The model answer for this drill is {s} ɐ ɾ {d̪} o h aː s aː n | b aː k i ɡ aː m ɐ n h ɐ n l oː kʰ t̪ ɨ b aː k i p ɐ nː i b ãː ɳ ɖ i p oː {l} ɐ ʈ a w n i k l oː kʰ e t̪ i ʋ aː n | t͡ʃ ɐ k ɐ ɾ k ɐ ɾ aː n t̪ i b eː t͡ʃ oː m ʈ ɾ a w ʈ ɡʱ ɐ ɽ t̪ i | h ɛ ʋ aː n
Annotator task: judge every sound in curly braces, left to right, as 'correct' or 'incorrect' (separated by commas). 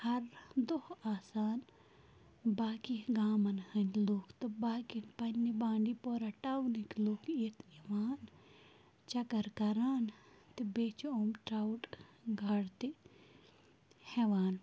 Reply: incorrect, correct, incorrect